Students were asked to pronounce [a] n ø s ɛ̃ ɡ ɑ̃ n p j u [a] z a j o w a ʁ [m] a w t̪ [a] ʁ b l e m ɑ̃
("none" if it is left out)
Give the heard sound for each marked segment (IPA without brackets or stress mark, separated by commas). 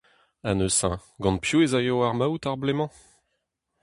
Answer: a, e, m, a